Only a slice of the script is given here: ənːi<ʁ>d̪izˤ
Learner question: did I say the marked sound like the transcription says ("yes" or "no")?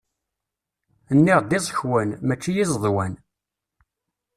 yes